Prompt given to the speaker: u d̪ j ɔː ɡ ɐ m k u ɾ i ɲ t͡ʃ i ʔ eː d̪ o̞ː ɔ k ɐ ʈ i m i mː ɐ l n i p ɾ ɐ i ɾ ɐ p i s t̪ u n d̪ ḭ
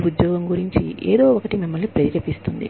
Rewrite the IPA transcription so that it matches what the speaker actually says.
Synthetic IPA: u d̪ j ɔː ɡ ɐ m ɡ u ɾ i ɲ t͡ʃ i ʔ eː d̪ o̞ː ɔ k ɐ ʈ i m i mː ɐ l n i p ɾ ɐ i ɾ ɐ p i s t̪ u n d̪ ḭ